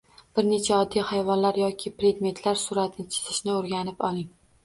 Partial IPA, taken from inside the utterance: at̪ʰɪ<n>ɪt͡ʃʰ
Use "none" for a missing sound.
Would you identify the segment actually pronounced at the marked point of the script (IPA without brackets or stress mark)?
n